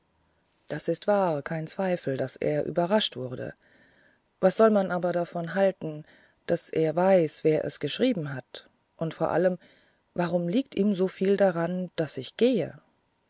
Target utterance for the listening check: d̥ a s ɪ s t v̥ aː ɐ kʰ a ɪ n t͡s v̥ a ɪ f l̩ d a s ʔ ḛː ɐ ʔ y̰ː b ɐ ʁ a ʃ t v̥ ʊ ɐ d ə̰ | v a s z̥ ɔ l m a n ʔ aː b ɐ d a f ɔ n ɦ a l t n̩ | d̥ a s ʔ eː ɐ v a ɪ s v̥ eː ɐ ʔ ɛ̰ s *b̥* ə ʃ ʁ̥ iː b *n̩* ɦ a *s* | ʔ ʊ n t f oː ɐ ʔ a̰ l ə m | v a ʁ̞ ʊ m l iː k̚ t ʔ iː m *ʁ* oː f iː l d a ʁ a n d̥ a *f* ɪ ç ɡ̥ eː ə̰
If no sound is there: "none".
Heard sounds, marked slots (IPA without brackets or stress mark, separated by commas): ɡ̥, m̩, t, z, s